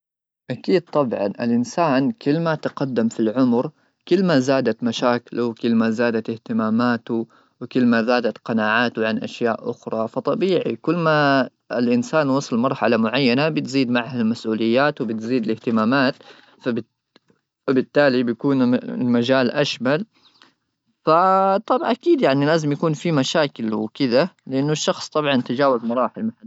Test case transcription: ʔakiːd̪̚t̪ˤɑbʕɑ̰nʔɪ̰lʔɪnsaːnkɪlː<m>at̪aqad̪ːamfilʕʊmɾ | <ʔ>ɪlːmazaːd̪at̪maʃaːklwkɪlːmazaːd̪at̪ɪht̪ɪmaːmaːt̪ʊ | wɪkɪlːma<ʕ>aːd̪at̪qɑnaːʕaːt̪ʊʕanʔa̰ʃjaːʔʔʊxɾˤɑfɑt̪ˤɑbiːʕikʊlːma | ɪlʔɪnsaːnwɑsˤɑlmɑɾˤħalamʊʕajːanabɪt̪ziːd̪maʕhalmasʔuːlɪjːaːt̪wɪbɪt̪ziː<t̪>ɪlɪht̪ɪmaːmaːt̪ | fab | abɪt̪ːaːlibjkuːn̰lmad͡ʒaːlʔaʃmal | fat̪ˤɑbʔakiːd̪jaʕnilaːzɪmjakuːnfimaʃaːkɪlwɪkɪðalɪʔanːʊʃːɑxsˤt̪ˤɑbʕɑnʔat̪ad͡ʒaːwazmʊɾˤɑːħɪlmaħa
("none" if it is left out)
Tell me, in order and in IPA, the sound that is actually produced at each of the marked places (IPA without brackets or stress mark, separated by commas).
m, k, z, d̪